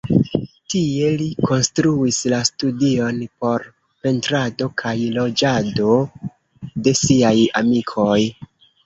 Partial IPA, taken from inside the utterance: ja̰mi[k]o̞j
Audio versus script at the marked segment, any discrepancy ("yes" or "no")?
yes